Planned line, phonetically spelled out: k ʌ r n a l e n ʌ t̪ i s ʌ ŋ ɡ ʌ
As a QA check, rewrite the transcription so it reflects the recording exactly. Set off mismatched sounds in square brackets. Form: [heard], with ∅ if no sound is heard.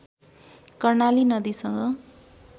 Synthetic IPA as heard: k ʌ r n a l [i] n ʌ [d̪] i s ʌ ŋ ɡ ʌ

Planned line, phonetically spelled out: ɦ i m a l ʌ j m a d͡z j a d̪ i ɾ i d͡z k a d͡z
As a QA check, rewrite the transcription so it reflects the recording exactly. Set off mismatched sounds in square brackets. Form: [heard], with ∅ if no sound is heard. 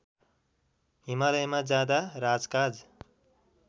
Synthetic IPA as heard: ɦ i m a l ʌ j m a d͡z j a d̪ [a] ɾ [a] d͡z k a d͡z

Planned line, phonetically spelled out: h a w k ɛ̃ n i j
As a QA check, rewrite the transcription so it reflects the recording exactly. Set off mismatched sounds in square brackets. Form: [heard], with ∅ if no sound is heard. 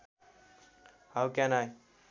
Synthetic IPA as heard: h a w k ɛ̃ n [a] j

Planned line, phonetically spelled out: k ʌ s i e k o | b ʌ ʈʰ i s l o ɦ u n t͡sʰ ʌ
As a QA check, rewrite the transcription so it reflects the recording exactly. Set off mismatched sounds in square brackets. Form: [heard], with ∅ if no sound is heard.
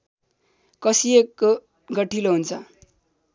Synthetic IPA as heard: k ʌ s i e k o | [ɡ] ʌ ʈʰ i [∅] l o ɦ u n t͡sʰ ʌ

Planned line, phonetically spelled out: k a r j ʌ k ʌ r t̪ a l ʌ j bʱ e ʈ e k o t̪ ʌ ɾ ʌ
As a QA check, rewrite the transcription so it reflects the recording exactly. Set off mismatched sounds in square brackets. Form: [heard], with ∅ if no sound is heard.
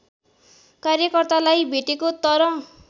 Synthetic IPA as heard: k a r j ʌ k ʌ r t̪ a l [a] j bʱ e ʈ e k o t̪ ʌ ɾ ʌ

